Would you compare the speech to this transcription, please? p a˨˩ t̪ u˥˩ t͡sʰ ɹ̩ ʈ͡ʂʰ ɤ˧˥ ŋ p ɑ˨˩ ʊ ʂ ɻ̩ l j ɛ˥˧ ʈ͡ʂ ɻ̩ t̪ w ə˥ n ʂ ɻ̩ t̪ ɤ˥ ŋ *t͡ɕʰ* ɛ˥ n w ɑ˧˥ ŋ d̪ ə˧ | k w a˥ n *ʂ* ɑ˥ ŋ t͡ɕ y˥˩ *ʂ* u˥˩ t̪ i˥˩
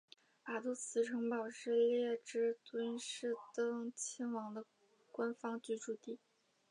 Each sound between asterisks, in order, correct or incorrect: correct, incorrect: f, incorrect: ʈ͡ʂ

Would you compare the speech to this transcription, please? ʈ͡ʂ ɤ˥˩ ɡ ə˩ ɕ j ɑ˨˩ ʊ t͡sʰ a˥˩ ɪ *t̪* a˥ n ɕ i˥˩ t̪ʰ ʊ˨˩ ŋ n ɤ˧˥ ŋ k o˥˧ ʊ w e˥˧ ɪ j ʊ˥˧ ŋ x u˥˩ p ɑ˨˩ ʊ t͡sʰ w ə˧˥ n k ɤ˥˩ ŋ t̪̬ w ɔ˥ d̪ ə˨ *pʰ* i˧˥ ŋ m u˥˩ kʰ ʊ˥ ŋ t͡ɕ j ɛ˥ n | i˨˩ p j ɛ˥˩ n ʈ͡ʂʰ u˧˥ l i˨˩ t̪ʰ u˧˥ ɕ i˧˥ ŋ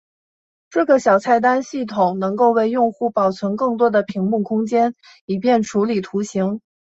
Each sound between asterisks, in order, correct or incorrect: correct, correct

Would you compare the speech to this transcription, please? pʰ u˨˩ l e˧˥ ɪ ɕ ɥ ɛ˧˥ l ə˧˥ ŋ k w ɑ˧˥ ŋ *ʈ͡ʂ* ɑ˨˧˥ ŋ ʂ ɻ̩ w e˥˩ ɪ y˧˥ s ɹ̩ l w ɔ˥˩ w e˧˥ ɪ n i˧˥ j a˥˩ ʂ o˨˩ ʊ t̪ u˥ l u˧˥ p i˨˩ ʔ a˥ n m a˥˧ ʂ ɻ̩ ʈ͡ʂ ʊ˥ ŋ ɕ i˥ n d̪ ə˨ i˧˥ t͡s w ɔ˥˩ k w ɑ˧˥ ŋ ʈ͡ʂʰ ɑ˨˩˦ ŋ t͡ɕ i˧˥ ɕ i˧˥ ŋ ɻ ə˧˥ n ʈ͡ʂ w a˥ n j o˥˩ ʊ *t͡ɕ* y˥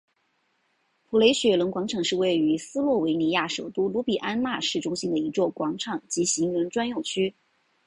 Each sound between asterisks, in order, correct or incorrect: incorrect: ʈ͡ʂʰ, incorrect: t͡ɕʰ

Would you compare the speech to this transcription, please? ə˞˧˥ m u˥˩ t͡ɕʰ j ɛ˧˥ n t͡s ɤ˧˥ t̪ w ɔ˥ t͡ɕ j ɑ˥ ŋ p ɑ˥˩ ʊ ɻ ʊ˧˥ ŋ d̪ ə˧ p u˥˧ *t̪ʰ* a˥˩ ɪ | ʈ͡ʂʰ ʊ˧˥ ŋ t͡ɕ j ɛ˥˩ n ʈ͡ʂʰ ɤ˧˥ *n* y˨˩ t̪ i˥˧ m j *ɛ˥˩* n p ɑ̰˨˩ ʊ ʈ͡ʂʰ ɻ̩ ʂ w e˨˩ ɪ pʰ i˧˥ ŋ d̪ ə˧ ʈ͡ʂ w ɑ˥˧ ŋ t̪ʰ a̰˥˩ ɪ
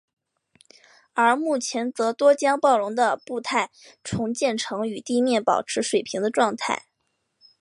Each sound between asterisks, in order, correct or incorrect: correct, incorrect: ŋ, correct

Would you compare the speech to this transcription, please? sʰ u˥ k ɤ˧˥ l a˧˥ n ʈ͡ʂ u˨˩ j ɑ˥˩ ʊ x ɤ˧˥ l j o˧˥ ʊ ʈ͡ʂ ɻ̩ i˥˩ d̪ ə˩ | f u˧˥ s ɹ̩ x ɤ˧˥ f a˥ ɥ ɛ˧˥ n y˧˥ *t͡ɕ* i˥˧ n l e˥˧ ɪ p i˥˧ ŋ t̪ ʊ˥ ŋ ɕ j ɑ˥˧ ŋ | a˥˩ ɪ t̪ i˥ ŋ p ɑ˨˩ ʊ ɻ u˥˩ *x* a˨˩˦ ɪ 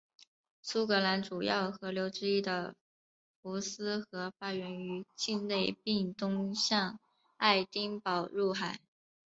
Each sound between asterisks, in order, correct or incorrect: correct, correct

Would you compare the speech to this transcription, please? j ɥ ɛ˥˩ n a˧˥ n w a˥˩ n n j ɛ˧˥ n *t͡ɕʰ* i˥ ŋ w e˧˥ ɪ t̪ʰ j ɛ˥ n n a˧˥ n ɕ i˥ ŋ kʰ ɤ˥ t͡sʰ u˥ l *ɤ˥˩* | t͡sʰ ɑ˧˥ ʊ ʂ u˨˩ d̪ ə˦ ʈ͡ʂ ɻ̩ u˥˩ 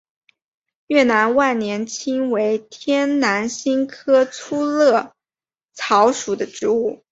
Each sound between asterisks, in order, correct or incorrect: correct, correct

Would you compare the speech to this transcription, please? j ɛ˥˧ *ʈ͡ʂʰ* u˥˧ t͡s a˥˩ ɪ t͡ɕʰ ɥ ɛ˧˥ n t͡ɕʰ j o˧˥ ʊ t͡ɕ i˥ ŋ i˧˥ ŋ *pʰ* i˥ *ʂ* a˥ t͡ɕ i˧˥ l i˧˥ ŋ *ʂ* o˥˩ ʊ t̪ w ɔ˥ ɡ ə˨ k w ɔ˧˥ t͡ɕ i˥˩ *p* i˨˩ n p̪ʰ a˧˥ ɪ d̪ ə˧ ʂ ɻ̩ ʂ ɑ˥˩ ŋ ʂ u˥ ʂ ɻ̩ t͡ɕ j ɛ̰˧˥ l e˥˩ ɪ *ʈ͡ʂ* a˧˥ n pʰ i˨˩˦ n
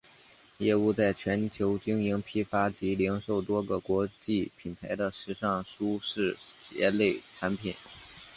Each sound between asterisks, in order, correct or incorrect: incorrect: none, correct, incorrect: f, correct, incorrect: pʰ, incorrect: ʈ͡ʂʰ

